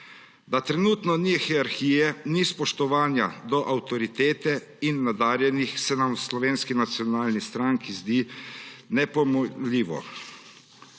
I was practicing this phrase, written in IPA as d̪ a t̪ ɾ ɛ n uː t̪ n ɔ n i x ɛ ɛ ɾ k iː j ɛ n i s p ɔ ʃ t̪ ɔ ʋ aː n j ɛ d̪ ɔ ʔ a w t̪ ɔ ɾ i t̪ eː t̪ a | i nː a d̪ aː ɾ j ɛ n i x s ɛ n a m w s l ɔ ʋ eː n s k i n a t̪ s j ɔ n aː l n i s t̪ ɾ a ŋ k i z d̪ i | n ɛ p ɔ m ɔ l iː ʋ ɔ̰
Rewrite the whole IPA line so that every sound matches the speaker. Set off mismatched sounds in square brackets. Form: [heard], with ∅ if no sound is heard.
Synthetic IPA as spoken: d̪ a t̪ ɾ ɛ n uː t̪ n ɔ n i x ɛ [a] ɾ [x] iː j ɛ n i s p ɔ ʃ t̪ ɔ ʋ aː n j [a] d̪ ɔ ʔ a w t̪ ɔ ɾ i t̪ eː t̪ [ɛ] | i nː a d̪ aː ɾ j ɛ n i x s ɛ n a m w s l ɔ ʋ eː n s k i n a t̪ s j ɔ n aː l n i s t̪ ɾ a ŋ k i z d̪ i | n ɛ p ɔ m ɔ l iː ʋ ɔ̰